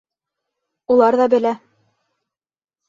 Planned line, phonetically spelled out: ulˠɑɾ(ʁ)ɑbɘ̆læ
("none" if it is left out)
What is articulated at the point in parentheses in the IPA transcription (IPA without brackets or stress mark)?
ð